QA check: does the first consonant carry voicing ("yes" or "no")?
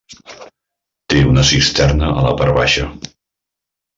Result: no